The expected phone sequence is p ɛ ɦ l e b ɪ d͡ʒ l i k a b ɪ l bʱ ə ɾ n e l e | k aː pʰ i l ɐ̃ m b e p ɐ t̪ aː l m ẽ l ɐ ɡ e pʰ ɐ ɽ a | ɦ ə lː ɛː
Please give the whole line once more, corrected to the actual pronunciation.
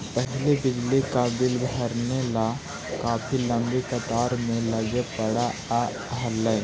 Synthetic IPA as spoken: p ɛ ɦ l e b ɪ d͡ʒ l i k a b ɪ l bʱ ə ɾ n e l a | k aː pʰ i l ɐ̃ m b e k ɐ t̪ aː ɾ m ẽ l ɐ ɡ e p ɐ ɽ a | ɦ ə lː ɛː